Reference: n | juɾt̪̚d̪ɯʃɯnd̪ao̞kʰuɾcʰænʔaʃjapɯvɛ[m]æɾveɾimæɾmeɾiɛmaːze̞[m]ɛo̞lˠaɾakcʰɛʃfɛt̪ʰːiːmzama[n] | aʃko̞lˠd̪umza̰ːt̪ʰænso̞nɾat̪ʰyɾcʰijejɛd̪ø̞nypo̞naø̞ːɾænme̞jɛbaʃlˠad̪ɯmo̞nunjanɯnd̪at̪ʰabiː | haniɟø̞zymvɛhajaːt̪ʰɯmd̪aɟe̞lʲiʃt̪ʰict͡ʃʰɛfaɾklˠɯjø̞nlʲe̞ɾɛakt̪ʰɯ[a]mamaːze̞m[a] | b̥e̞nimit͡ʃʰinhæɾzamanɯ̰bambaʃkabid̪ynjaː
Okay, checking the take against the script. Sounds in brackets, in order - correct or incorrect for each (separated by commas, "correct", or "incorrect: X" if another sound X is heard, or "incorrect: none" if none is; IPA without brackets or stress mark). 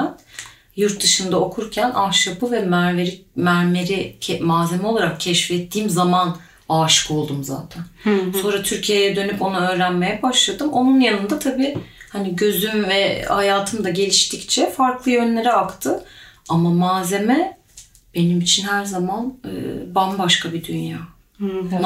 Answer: correct, correct, correct, correct, incorrect: ɛ